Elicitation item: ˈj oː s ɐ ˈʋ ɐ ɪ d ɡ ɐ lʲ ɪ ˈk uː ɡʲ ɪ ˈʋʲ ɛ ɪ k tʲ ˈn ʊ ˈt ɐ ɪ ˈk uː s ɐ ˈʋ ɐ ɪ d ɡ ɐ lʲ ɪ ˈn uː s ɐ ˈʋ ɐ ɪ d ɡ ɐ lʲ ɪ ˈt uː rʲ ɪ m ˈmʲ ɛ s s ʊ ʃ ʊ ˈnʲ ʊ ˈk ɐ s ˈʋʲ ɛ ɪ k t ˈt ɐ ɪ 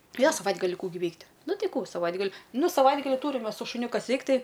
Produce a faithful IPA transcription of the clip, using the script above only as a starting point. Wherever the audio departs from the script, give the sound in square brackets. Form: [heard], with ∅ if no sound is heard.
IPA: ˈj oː s ɐ ˈʋ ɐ ɪ d ɡ ɐ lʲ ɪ ˈk uː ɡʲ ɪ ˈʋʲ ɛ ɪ k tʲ ˈn ʊ ˈt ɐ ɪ ˈk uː s ɐ ˈʋ ɐ ɪ d ɡ ɐ lʲ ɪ ˈn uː s ɐ ˈʋ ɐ ɪ d ɡ ɐ lʲ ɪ ˈt uː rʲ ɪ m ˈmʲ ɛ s s ʊ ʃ ʊ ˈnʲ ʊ ˈk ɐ s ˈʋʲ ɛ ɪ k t ˈt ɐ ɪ